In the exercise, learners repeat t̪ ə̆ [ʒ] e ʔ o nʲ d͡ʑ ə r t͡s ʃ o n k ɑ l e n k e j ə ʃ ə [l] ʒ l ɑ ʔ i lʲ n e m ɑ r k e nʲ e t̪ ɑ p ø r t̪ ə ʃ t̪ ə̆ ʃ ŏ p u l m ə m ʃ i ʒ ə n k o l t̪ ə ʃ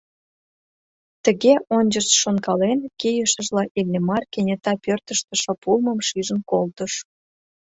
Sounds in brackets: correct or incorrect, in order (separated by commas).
incorrect, incorrect